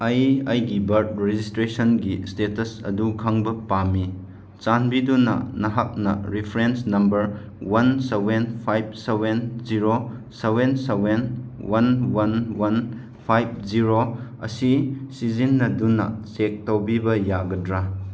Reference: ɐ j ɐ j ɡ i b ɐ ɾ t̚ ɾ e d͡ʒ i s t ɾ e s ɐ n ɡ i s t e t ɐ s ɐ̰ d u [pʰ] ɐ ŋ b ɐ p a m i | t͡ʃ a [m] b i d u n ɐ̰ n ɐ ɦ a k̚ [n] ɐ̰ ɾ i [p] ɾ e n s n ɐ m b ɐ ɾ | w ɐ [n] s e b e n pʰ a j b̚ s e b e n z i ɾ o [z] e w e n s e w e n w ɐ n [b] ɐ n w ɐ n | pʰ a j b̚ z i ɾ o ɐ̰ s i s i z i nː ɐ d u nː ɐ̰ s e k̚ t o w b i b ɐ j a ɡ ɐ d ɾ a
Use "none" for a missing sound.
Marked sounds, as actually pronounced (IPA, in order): kʰ, n, n, pʰ, n, s, w

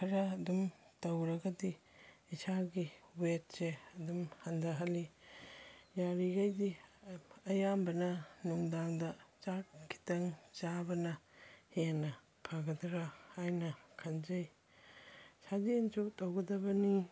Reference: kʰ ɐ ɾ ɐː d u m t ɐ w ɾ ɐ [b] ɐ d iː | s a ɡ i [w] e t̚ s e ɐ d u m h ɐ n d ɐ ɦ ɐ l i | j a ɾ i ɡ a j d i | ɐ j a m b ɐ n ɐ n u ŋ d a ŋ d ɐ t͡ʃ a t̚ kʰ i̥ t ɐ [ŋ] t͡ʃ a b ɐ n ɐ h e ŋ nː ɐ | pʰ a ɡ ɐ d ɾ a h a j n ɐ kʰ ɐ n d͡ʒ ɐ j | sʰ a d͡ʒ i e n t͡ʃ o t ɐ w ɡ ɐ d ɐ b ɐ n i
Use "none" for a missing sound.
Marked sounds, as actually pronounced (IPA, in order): ɡ, w, ŋ

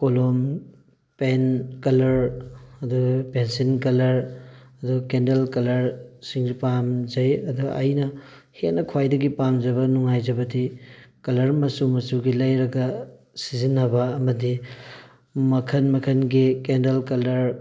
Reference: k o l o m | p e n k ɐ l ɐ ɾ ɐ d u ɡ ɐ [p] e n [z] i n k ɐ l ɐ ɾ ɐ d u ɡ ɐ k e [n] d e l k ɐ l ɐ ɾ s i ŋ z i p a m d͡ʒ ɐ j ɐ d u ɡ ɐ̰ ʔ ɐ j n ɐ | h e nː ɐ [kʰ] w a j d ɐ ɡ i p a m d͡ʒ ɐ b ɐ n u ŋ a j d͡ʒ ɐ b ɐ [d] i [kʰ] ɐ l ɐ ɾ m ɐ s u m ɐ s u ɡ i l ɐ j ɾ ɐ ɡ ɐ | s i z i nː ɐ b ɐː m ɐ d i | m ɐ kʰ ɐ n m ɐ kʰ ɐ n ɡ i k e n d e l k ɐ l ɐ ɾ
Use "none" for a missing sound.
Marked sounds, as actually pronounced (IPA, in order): p, s, n, kʰ, d, k

